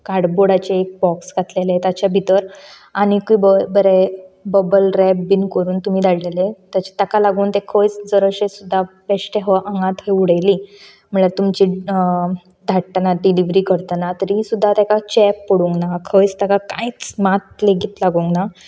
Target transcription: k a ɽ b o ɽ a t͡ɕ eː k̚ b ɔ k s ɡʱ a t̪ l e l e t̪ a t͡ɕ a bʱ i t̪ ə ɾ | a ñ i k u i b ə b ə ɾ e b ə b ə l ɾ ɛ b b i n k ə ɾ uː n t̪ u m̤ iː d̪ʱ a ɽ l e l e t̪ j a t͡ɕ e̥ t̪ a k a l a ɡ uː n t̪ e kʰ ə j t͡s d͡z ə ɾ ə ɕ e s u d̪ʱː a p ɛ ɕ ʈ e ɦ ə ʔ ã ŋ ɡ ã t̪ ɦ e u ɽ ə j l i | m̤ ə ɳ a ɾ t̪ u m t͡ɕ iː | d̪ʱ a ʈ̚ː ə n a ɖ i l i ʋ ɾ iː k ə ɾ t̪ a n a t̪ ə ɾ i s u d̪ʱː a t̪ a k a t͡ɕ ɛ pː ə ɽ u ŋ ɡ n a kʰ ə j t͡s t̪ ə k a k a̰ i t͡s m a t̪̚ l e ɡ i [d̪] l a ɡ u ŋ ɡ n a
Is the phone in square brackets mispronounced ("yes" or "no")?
yes